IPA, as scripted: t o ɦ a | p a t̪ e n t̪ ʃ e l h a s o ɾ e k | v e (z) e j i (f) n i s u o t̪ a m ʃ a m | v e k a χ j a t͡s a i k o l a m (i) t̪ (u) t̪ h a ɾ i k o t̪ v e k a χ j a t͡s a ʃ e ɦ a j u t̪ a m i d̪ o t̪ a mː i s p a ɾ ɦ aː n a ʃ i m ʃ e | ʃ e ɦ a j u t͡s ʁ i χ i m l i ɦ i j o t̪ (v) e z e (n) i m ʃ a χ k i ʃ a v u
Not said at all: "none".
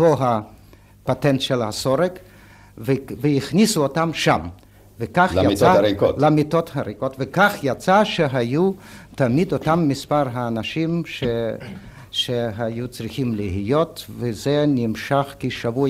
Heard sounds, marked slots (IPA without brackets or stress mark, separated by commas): v, χ, i, o, v, n